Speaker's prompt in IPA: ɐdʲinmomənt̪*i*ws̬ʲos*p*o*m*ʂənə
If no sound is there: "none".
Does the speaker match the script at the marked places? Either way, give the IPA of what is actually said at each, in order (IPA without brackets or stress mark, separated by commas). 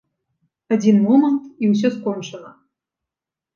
i, k, n